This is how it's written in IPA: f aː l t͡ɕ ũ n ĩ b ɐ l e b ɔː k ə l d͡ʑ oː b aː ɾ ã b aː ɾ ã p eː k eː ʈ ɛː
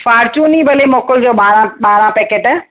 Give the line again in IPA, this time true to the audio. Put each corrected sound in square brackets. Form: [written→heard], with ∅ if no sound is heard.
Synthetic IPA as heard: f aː [l→ɾ] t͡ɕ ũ n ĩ b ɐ l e [b→m] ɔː k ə l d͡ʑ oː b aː ɾ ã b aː ɾ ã p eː k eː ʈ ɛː